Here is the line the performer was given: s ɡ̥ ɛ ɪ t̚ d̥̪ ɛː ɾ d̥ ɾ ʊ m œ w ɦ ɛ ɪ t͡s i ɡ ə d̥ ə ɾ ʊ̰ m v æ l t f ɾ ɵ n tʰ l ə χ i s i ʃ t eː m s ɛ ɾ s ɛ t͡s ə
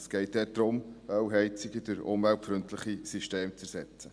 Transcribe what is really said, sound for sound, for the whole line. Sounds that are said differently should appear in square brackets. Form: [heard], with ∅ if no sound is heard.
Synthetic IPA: s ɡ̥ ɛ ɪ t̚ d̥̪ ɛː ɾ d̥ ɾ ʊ m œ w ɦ ɛ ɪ t͡s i ɡ ə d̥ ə ɾ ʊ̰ m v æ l t f ɾ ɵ n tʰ l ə χ i s i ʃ t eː m [t͡s] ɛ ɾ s ɛ t͡s ə